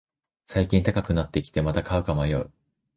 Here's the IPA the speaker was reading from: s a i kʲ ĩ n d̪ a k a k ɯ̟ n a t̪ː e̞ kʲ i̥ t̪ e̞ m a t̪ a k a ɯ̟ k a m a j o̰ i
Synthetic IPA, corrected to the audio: s a i kʲ ĩ n t̪ a k a k ɯ̟ n a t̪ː e̞ kʲ i̥ t̪ e̞ m a t̪ a k a ɯ̟ k a m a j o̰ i